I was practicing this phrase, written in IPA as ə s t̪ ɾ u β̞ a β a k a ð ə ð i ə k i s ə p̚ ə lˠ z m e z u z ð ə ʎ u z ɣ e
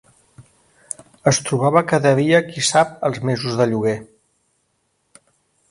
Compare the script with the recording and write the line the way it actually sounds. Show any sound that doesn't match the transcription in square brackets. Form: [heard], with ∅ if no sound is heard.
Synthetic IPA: ə s t̪ ɾ u β̞ a β [ə] k a ð ə ð i ə k i s [a] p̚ ə lˠ z m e z u z ð ə ʎ u [∅] ɣ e

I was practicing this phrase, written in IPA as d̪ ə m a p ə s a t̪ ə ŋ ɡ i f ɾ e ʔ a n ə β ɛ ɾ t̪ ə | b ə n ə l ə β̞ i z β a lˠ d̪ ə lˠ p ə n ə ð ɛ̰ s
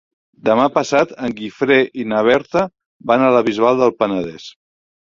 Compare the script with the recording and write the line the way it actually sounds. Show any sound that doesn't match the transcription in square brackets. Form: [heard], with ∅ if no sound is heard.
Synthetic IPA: d̪ ə m a p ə s a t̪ ə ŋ ɡ i f ɾ e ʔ [i] n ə β ɛ ɾ t̪ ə | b [a] n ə l ə β̞ i z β a lˠ d̪ ə lˠ p ə n ə ð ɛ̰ s

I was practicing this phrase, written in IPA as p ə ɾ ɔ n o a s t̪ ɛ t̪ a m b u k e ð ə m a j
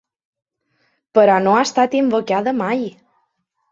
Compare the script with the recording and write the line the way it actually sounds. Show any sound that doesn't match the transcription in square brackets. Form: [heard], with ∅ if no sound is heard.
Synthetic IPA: p ə ɾ ɔ n o a s t̪ [a] t̪ [i] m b [o] k [a] ð ə m a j

